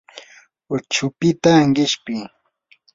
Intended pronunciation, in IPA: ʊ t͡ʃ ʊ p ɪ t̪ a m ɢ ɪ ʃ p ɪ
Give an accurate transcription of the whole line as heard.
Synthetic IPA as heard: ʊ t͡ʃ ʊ p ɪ t̪ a ŋ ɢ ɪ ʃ p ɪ